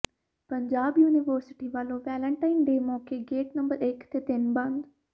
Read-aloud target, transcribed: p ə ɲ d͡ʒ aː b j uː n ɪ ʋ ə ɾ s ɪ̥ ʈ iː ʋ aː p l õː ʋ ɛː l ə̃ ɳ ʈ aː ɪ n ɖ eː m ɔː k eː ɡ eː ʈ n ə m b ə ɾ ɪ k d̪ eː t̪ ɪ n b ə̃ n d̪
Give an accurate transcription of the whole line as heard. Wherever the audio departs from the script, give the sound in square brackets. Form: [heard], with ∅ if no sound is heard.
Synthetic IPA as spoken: p ə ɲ d͡ʒ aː b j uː n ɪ ʋ ə ɾ s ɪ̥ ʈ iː ʋ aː [∅] l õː ʋ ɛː l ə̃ ɳ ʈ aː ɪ n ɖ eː m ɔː k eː ɡ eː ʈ n ə m b ə ɾ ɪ k [t̪] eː t̪ ɪ n b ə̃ n d̪

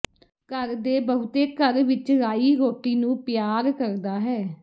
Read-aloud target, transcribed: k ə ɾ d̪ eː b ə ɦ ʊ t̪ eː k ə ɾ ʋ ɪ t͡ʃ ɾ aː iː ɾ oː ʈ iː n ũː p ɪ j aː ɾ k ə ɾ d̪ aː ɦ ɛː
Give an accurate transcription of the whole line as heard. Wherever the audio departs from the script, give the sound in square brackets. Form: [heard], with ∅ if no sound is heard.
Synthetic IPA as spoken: k ə ɾ d̪ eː b ə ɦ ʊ t̪ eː k ə ɾ ʋ ɪ t͡ʃ ɾ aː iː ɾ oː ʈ iː n ũː p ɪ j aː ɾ k ə ɾ d̪ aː ɦ ɛː

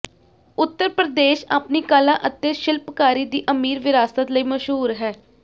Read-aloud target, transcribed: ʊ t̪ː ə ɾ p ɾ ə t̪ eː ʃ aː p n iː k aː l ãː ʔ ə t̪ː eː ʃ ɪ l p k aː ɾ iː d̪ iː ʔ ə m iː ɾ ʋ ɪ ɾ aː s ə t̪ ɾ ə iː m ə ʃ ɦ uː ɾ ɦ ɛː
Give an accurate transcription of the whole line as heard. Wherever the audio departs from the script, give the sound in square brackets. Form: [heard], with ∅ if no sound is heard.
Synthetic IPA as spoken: ʊ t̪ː ə ɾ p ɾ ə [d̪] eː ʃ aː p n iː k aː l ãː ʔ ə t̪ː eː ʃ ɪ l p k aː ɾ iː d̪ iː ʔ ə m iː ɾ ʋ ɪ ɾ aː s ə t̪ [l] ə iː m ə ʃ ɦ uː ɾ ɦ ɛː

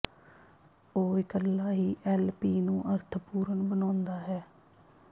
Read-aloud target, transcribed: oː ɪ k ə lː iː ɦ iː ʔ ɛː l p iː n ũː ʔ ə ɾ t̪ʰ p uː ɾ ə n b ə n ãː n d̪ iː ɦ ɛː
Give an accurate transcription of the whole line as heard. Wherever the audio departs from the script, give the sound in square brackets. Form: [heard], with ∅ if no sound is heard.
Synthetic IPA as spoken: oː ɪ k ə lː [aː] ɦ iː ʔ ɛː l p iː n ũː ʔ ə ɾ t̪ʰ p uː ɾ ə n b ə n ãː n d̪ [aː] ɦ ɛː

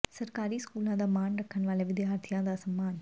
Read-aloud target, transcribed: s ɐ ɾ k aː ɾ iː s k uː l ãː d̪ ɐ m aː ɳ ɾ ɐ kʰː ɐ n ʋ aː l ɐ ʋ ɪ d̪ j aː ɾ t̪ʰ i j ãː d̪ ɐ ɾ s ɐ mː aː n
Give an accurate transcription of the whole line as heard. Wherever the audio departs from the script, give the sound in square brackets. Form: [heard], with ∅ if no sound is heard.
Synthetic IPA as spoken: s ɐ ɾ k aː ɾ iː s k uː l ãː d̪ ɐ m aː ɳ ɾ ɐ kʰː ɐ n ʋ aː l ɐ ʋ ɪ d̪ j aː ɾ t̪ʰ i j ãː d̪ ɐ [∅] s ɐ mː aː n

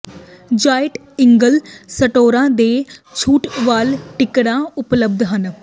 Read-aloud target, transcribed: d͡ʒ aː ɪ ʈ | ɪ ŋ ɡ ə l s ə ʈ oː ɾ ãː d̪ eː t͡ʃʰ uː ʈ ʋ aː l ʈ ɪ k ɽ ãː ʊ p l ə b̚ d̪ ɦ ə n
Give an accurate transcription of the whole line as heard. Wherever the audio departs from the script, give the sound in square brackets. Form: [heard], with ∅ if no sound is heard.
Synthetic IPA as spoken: d͡ʒ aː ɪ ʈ | ɪ ŋ ɡ ə l s ə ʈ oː ɾ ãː d̪ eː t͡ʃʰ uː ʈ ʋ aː l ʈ ɪ k ɽ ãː ʊ p l ə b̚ d̪ ɦ ə n

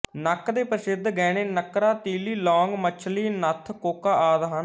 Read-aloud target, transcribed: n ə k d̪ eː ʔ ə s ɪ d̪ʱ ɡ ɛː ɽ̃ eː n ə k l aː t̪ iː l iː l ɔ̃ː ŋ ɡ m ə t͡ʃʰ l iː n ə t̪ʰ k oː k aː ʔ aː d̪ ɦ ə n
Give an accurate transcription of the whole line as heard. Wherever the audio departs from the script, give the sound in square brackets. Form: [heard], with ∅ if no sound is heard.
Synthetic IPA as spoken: n ə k d̪ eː [p] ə s ɪ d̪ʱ ɡ ɛː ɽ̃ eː n ə k [ɾ] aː t̪ iː l iː l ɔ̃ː ŋ ɡ m ə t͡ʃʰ l iː n ə t̪ʰ k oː k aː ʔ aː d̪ ɦ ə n

